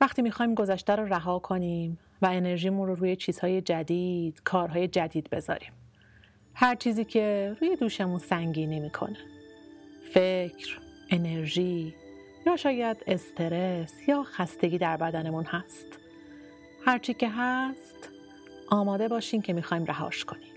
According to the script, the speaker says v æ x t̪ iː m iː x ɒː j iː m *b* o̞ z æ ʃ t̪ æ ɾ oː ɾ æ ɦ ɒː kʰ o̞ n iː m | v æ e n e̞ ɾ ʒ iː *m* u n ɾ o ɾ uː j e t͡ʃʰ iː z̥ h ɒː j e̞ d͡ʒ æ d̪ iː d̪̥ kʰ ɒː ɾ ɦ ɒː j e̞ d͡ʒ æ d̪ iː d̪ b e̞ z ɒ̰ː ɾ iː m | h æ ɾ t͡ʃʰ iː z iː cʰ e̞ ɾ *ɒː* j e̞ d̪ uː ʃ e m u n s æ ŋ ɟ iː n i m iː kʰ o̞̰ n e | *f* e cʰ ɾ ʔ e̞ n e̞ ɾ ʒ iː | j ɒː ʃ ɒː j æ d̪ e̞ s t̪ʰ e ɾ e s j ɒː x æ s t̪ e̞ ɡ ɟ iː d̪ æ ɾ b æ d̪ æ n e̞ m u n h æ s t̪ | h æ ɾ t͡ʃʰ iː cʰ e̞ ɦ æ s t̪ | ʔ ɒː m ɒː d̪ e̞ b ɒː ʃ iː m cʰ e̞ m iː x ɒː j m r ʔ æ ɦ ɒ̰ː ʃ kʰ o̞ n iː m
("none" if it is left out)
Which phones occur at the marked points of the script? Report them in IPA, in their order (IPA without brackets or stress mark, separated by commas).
ɡ, m, uː, f